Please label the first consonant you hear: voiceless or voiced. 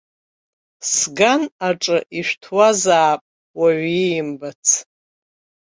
voiceless